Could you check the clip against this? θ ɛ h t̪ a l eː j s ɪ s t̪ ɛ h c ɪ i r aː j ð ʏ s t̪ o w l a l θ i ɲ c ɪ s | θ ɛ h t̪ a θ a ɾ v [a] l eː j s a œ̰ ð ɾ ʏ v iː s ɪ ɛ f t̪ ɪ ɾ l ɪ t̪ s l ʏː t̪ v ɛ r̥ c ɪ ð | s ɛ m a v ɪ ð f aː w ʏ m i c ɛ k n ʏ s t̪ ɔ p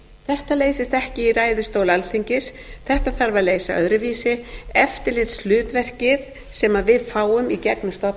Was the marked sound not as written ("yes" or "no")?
no